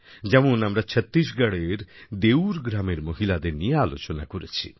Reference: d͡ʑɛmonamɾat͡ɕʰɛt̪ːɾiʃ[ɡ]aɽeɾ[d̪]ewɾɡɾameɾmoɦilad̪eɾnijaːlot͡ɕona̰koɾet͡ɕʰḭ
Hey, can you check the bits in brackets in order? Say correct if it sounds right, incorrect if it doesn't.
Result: correct, correct

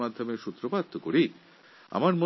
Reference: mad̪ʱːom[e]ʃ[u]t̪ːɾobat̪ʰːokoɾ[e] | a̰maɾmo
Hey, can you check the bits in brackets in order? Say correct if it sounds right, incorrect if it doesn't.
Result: correct, correct, incorrect: i

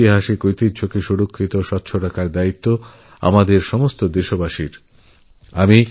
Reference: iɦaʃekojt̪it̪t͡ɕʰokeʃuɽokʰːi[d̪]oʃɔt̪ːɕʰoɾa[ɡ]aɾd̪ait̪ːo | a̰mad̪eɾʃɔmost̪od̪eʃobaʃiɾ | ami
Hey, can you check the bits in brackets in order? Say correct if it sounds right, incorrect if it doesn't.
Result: incorrect: t̪, incorrect: k

